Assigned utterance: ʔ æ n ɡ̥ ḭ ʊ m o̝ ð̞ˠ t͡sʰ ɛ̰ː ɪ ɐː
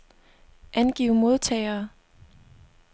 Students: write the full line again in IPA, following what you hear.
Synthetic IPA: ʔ æ n ɡ̥ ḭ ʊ m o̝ ð̞ˠ t͡sʰ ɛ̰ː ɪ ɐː